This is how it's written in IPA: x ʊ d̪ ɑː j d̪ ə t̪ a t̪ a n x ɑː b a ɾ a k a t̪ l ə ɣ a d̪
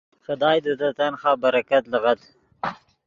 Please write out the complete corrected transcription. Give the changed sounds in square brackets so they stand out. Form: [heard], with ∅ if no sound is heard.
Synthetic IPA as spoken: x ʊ d̪ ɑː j d̪ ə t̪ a t̪ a n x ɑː b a ɾ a k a t̪ l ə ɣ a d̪